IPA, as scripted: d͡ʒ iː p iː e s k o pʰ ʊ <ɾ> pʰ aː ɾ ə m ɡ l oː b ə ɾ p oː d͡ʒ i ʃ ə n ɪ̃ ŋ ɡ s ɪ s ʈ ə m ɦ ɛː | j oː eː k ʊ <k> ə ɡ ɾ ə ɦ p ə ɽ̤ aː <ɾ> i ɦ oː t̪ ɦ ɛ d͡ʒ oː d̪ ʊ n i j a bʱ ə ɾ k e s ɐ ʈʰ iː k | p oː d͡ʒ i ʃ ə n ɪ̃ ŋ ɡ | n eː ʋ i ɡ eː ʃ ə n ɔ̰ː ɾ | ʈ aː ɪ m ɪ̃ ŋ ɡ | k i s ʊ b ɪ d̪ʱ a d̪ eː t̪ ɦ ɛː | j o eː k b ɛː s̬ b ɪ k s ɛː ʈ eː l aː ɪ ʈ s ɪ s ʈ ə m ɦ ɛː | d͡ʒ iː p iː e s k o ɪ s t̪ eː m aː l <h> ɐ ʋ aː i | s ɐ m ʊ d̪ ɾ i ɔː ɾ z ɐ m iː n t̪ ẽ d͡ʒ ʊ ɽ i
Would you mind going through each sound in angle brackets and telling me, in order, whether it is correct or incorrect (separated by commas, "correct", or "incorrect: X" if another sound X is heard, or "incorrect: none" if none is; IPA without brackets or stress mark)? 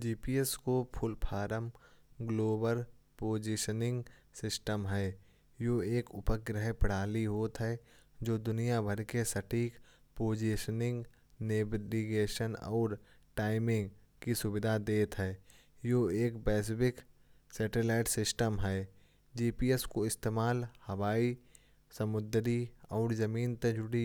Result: incorrect: l, incorrect: p, incorrect: l, correct